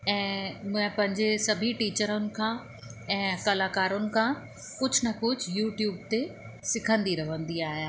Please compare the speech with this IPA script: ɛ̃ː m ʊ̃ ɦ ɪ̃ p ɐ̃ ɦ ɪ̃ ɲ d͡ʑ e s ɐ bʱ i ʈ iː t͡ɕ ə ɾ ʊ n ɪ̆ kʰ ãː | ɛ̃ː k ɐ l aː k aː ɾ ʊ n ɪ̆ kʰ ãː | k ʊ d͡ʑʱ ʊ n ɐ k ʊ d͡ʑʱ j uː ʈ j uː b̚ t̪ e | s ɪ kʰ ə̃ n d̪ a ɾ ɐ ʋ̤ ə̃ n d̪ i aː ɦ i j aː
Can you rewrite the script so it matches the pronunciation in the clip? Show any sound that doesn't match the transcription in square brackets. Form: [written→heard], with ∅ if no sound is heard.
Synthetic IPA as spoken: ɛ̃ː m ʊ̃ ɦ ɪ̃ p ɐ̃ ɦ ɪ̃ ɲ d͡ʑ e s ɐ bʱ i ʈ iː t͡ɕ ə ɾ ʊ n ɪ̆ kʰ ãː | ɛ̃ː k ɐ l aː k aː ɾ ʊ n ɪ̆ kʰ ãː | k ʊ d͡ʑʱ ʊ n ɐ k ʊ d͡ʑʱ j uː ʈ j uː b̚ t̪ e | s ɪ kʰ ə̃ n d̪ [a→i] ɾ ɐ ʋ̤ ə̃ n d̪ i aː ɦ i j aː